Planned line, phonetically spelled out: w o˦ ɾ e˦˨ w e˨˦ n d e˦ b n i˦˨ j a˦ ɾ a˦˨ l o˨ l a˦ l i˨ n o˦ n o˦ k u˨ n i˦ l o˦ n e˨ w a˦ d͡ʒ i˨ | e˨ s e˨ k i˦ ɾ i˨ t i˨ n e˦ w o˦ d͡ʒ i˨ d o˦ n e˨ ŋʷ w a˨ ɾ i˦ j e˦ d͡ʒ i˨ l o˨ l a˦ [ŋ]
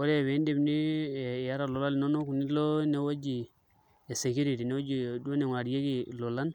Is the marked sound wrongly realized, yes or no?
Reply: yes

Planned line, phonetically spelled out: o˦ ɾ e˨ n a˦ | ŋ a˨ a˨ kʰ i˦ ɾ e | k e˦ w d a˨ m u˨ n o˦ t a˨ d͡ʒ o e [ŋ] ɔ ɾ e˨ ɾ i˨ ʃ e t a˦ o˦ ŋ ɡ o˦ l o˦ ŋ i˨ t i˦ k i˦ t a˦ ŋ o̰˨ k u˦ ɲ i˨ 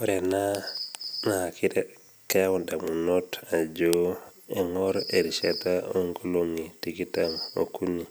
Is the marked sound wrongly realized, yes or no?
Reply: no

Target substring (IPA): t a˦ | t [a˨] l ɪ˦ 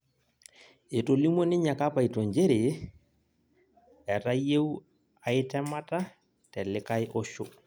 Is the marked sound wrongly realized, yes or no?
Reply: yes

